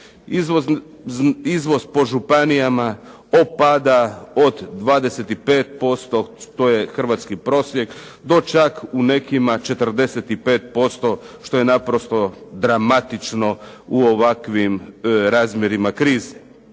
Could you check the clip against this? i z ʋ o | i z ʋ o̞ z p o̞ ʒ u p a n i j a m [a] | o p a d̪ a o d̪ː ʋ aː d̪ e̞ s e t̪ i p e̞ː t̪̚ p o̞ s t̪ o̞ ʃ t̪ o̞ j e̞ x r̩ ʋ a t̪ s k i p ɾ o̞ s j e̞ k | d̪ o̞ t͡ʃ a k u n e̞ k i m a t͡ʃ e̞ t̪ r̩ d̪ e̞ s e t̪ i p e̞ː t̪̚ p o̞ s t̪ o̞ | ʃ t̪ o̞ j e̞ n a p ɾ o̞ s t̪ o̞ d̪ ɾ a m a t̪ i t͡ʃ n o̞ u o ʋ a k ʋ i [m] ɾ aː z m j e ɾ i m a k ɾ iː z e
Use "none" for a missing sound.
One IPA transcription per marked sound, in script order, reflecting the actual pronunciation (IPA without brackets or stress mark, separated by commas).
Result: a, m